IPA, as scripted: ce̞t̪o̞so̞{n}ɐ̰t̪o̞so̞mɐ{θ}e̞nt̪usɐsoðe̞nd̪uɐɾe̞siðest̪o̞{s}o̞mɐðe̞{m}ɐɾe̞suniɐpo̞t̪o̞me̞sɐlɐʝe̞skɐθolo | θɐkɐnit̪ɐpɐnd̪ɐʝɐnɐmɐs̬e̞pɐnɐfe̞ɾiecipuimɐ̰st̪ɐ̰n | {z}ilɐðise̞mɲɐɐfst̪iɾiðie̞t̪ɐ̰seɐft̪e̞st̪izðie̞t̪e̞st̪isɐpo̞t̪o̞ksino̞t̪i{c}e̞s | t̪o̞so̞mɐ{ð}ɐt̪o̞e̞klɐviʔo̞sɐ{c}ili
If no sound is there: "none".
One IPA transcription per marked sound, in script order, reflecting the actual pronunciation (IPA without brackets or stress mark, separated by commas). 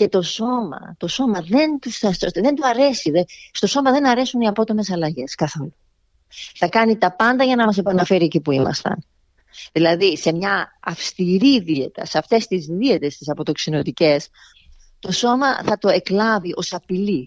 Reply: m, ð, s, n, ð, c, θ, p